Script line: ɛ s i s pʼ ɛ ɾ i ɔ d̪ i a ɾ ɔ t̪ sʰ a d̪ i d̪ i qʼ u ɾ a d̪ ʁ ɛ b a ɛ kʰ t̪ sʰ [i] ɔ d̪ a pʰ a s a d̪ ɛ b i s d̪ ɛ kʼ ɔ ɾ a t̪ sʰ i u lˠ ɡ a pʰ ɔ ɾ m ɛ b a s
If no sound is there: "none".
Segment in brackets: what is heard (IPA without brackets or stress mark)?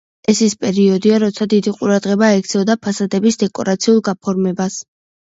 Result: ɛ